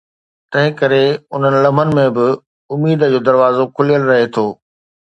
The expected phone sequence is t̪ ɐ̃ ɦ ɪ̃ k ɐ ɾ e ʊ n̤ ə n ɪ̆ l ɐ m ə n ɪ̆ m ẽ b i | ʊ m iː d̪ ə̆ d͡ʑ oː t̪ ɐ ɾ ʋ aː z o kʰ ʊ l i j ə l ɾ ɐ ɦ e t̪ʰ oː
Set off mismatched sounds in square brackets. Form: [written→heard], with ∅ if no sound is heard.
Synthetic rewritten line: t̪ ɐ̃ ɦ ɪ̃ k ɐ ɾ e ʊ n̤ ə n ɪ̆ l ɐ m ə n ɪ̆ m ẽ b [i→ɪ] | ʊ m iː d̪ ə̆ d͡ʑ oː [t̪→d̪] ɐ ɾ ʋ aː z o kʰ ʊ l i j ə l ɾ ɐ ɦ e t̪ʰ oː